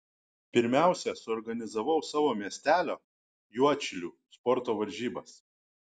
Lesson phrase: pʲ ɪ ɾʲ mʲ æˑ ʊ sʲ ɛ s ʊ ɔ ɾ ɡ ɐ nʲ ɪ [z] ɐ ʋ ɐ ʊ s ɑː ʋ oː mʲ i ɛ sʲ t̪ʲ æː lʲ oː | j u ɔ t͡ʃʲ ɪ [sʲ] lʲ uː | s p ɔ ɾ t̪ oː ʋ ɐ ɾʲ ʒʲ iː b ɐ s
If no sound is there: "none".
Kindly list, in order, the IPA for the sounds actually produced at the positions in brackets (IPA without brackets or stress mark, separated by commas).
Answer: z, none